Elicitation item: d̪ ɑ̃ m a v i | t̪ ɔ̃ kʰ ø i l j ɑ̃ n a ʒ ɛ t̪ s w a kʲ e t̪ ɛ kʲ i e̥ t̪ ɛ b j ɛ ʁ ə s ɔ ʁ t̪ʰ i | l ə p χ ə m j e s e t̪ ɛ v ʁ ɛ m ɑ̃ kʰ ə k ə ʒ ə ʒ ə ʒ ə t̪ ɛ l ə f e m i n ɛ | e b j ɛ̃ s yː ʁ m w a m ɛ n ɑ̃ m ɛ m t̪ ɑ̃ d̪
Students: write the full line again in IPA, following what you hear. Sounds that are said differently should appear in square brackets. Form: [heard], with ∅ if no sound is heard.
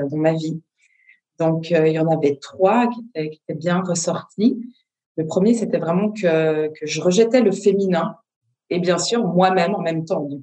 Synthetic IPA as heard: d̪ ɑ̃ m a v i | [d̪] ɔ̃ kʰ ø i l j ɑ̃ n a [v] ɛ t̪ [χ] w a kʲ e t̪ ɛ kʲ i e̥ t̪ ɛ b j [ɛ̃] ʁ ə s ɔ ʁ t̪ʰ i | l ə p χ ə m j e s e t̪ ɛ v ʁ ɛ m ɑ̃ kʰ ə k ə ʒ ə [ʁ] ə ʒ ə t̪ ɛ l ə f e m i n [ɛ̃] | e b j ɛ̃ s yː ʁ m w a m ɛ [m] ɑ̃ m ɛ m t̪ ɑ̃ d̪